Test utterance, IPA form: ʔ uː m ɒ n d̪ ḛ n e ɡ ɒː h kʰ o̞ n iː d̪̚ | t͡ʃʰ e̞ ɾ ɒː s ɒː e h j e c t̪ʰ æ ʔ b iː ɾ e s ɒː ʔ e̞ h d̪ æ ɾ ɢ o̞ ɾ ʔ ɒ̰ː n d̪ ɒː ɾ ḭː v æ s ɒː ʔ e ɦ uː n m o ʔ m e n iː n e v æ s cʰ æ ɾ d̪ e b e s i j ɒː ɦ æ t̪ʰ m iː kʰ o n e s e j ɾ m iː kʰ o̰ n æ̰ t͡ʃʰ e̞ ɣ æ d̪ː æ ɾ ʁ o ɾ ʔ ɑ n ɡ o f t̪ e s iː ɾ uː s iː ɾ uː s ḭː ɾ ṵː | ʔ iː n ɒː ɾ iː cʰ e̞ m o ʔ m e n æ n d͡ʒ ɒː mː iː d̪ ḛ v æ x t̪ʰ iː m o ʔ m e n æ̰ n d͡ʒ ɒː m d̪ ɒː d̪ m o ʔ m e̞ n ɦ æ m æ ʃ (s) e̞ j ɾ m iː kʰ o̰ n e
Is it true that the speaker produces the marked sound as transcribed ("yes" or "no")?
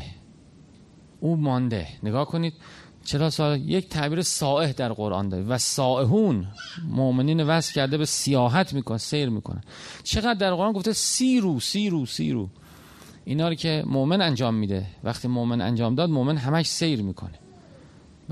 yes